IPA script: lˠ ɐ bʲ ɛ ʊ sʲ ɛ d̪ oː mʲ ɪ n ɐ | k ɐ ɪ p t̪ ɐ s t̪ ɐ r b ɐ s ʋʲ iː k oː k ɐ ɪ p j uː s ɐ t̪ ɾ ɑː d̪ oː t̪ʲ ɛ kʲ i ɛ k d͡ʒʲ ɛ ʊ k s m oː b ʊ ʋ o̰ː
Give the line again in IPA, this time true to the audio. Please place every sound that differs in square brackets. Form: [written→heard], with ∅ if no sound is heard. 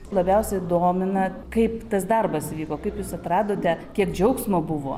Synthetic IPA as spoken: lˠ ɐ bʲ ɛ ʊ sʲ ɛ d̪ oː mʲ ɪ n ɐ | k ɐ ɪ p t̪ ɐ s [t̪→d̪] ɐ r b ɐ s ʋʲ iː k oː k ɐ ɪ p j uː s ɐ t̪ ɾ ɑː d̪ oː t̪ʲ ɛ kʲ i ɛ k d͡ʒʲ ɛ ʊ k s m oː b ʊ ʋ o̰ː